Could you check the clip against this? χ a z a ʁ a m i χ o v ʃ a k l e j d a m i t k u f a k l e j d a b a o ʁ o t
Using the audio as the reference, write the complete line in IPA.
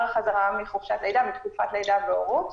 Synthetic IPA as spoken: χ a z a ʁ a m i χ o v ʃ a t l e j d a m i t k u f a t l e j d a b e o ʁ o t